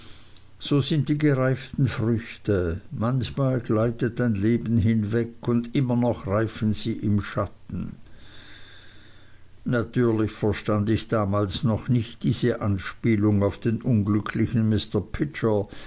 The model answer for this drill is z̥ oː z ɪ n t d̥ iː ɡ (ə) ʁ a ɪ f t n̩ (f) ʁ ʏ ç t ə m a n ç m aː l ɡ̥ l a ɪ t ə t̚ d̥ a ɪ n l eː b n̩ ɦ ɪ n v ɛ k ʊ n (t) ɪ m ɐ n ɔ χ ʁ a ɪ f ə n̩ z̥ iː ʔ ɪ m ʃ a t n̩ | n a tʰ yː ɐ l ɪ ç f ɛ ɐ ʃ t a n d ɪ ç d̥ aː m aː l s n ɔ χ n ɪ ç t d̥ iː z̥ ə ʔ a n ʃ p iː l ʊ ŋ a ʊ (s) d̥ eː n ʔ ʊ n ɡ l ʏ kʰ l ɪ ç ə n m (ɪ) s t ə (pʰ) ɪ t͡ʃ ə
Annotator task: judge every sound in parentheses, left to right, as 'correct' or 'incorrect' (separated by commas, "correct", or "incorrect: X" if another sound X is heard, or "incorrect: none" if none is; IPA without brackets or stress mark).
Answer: correct, correct, incorrect: d, incorrect: f, correct, correct